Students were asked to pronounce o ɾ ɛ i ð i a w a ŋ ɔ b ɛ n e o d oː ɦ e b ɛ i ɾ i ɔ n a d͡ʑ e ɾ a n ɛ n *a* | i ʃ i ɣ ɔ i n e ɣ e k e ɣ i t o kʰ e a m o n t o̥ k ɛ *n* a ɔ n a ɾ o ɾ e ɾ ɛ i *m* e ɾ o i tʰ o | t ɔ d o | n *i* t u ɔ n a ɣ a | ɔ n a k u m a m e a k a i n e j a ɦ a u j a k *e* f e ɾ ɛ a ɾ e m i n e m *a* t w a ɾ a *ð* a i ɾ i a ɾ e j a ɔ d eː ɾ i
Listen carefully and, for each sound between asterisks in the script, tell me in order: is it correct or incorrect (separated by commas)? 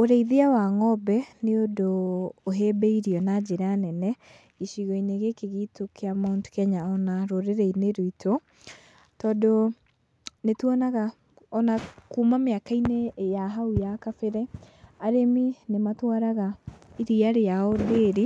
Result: incorrect, incorrect, incorrect, incorrect, incorrect, correct, incorrect